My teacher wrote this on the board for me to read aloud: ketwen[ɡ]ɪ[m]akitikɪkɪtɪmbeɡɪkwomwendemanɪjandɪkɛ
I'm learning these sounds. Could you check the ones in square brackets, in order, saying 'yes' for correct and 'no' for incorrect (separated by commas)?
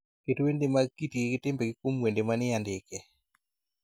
no, yes